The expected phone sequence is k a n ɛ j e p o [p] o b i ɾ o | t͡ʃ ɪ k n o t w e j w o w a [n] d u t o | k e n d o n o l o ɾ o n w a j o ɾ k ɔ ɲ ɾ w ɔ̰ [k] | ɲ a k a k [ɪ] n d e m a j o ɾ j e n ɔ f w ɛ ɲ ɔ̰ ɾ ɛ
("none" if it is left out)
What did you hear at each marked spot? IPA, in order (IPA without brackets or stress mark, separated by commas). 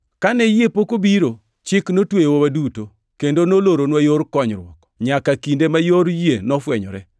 k, none, k, i